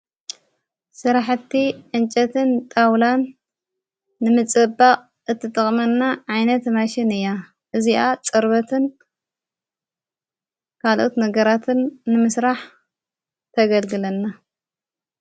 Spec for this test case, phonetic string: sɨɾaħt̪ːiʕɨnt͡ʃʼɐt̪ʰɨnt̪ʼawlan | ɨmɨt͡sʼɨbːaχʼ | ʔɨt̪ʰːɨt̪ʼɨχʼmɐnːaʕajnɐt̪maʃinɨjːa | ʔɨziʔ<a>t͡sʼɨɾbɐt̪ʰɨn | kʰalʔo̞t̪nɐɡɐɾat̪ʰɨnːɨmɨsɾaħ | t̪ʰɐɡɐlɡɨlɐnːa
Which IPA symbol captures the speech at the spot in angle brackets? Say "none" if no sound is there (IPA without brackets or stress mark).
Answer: a